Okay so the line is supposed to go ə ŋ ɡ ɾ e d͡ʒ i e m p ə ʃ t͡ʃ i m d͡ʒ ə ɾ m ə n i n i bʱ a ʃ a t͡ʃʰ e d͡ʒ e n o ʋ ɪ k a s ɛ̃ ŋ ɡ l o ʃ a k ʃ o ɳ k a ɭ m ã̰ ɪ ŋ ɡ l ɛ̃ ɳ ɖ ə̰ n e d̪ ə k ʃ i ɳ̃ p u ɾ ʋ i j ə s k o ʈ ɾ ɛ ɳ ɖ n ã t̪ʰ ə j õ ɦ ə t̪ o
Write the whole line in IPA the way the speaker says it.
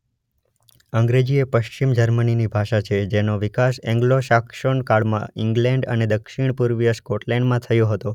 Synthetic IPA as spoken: ə ŋ ɡ ɾ e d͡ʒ i e p ə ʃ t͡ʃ i m d͡ʒ ə ɾ m ə n i n i bʱ a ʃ a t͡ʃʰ e d͡ʒ e n o ʋ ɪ k a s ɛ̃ ŋ ɡ l o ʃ a k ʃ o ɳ k a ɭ m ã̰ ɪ ŋ ɡ l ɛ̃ ɳ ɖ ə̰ n e d̪ ə k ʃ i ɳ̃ p u ɾ ʋ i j ə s k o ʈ l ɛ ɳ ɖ m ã t̪ʰ ə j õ ɦ ə t̪ o